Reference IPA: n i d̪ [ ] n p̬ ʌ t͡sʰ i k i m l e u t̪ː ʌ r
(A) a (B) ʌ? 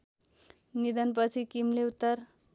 B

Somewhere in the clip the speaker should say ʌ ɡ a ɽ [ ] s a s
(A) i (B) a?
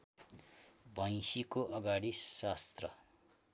A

